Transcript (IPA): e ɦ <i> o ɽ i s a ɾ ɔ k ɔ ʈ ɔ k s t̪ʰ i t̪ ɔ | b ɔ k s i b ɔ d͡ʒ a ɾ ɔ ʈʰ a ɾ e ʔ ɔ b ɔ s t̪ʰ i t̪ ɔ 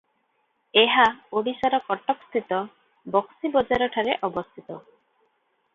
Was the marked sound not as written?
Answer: yes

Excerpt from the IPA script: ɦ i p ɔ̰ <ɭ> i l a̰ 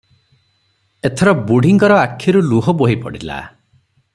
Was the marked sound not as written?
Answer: yes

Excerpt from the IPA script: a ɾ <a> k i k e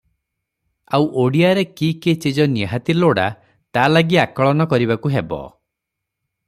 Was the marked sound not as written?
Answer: yes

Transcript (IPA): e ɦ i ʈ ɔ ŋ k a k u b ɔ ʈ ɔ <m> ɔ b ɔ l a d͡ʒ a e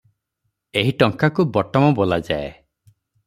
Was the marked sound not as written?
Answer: no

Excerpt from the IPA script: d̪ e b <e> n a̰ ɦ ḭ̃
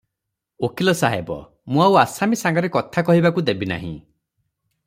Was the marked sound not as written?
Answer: yes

